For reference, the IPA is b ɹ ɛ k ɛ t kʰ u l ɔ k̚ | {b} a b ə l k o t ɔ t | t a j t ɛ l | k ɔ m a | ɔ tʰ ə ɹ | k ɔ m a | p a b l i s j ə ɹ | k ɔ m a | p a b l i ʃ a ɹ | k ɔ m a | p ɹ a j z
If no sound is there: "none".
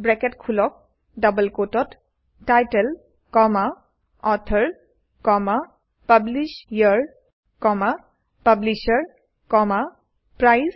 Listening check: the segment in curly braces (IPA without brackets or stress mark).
d